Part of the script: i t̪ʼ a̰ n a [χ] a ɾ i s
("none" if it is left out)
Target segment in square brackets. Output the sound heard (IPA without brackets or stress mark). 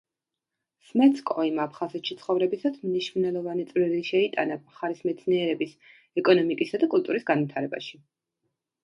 χ